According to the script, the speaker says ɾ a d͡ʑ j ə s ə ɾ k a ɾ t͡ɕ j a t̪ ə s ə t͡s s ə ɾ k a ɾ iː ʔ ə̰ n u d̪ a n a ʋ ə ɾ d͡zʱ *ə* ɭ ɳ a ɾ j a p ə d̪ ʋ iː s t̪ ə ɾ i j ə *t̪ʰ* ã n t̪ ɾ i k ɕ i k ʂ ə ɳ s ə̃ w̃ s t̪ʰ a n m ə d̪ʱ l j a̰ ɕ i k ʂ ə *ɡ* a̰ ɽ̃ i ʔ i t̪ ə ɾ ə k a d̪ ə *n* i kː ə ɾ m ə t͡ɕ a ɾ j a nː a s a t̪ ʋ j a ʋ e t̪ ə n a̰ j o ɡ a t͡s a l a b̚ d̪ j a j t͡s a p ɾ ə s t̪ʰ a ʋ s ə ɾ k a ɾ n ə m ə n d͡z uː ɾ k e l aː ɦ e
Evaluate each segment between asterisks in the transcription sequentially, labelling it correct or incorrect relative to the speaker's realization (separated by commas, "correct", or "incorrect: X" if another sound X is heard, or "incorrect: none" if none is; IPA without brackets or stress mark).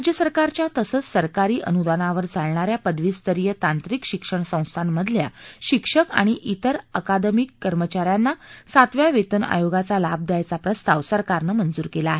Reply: incorrect: a, incorrect: t̪, incorrect: k, incorrect: m